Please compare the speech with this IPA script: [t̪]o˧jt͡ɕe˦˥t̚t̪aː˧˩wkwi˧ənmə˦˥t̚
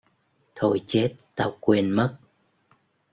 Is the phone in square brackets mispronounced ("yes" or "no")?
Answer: yes